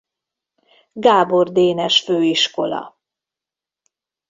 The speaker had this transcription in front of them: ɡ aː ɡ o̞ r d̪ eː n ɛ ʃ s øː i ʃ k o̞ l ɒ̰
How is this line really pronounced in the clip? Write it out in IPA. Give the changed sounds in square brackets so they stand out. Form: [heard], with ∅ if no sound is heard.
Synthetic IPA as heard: ɡ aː [b] o̞ r d̪ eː n ɛ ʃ [f] øː i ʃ k o̞ l ɒ̰